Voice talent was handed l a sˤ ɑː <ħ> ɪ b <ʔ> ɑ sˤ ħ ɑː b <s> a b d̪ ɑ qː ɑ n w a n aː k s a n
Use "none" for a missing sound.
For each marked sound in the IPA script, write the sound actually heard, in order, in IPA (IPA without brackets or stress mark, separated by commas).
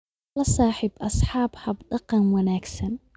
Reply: ħ, ʔ, h